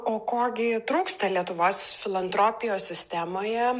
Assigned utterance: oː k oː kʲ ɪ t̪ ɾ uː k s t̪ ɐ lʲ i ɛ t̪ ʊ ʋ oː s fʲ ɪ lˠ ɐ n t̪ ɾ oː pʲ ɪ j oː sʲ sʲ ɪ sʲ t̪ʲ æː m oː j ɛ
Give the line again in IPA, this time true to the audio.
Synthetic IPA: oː k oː ɡʲ ɪ t̪ ɾ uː k s t̪ ɐ lʲ i ɛ t̪ ʊ ʋ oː s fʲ ɪ lˠ ɐ n t̪ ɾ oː pʲ ɪ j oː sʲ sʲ ɪ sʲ t̪ʲ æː m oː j ɛ